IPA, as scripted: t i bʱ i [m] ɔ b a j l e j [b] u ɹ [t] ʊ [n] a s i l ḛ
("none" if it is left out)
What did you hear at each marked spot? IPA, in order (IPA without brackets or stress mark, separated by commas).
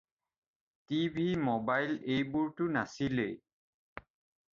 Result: m, b, t, n